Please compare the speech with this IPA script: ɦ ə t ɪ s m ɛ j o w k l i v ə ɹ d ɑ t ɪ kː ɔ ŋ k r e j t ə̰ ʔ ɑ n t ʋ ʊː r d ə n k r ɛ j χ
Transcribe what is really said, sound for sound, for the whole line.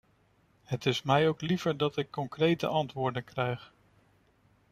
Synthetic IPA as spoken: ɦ ə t ɪ s m ɛ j o w k l i v ə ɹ d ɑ t ɪ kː ɔ ŋ k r e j t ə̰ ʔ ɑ n t ʋ ʊː ɹ d ə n k r ɛ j χ